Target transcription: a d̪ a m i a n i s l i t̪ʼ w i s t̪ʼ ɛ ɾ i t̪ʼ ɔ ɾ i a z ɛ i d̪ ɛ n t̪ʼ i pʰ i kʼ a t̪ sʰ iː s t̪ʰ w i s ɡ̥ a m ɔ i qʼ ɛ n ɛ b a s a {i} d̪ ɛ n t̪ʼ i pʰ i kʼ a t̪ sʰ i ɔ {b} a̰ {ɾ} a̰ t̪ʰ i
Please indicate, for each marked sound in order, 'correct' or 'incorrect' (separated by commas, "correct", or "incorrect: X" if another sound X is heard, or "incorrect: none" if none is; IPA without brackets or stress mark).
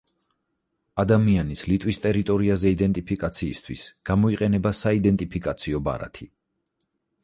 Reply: correct, correct, correct